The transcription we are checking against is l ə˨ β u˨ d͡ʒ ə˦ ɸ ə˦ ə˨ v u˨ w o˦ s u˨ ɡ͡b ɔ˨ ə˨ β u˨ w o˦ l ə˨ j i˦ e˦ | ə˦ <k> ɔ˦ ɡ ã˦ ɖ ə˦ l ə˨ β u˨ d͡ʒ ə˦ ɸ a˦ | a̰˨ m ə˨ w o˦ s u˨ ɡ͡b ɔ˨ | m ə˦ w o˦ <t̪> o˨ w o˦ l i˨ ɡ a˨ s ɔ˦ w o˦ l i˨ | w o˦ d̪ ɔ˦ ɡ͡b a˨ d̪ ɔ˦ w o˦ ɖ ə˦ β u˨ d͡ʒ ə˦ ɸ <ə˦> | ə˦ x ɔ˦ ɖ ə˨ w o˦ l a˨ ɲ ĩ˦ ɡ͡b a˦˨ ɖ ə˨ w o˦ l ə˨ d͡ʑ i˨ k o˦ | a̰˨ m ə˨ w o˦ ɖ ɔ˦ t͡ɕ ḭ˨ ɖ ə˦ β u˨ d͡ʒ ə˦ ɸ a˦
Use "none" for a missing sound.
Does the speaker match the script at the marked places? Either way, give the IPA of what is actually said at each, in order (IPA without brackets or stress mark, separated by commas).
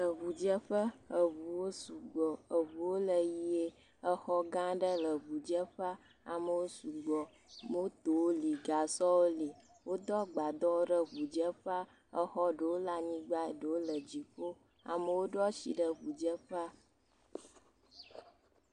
x, t̪, a˦